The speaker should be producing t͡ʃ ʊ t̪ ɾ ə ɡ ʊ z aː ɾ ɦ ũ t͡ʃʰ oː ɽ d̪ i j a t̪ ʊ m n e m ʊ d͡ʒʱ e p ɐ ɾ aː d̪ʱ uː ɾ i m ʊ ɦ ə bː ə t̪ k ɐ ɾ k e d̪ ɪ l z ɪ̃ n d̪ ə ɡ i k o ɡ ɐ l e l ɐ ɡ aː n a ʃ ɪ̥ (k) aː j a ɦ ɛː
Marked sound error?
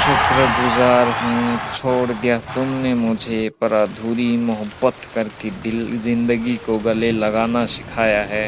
yes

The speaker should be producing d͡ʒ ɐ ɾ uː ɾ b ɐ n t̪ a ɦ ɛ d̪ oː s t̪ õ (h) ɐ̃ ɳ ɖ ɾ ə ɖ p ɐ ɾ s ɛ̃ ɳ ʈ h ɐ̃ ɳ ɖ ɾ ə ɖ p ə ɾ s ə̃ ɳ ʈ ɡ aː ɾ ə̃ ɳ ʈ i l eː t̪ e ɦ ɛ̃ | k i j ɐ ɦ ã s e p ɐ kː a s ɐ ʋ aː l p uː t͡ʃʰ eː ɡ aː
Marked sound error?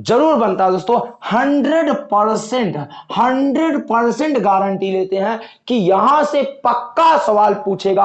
no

